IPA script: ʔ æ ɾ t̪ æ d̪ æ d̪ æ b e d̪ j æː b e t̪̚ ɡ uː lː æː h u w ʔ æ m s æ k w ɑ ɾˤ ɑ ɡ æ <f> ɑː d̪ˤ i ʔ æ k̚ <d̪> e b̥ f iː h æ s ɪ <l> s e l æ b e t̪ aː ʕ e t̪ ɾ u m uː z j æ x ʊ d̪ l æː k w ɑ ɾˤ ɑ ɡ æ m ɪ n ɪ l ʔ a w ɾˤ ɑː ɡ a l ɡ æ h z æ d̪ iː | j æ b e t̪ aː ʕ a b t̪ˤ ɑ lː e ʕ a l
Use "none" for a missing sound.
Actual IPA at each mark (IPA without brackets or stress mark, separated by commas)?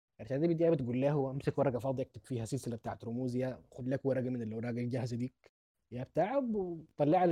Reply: f, t̪, l